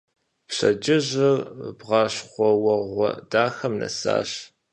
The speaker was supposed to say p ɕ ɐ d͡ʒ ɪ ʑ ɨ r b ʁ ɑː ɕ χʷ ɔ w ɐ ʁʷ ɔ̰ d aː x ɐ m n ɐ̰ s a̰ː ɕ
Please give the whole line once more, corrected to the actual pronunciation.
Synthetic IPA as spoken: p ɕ ɐ d͡ʒ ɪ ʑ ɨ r b ʁ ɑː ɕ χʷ ɔ w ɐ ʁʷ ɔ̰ d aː x ɐ m n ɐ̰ s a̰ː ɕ